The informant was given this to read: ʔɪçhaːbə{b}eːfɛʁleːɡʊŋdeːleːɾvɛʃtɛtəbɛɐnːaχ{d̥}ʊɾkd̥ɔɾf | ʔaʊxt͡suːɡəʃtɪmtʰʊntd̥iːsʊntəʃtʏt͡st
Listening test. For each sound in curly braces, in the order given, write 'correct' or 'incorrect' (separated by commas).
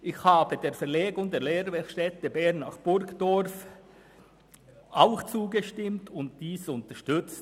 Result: incorrect, incorrect